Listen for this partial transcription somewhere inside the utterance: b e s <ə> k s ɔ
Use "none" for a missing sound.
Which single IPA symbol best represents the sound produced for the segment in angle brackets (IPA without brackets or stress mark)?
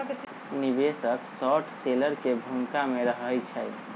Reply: ə